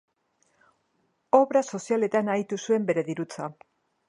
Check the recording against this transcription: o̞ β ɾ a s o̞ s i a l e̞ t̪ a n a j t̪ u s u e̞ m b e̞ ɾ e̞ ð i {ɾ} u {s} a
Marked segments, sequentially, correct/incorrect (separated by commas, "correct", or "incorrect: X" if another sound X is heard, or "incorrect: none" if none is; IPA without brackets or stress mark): correct, incorrect: t͡s